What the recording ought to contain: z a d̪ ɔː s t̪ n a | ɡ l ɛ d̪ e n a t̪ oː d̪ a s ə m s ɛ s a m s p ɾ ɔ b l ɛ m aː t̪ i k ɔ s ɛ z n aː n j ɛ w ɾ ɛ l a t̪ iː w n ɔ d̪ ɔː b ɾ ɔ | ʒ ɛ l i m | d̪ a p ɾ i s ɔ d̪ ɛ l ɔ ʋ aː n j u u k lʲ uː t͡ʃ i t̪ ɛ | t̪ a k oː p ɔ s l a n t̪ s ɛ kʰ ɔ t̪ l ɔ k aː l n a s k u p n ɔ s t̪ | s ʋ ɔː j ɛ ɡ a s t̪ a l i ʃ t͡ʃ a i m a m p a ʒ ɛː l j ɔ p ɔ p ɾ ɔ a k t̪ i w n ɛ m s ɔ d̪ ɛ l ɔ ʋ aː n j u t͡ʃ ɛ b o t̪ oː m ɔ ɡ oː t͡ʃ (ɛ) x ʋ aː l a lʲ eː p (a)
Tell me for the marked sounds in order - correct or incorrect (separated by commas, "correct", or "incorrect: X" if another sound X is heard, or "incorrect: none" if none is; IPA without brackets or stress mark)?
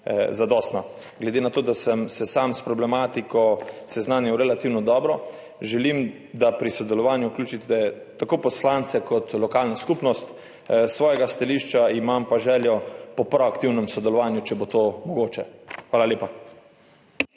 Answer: correct, correct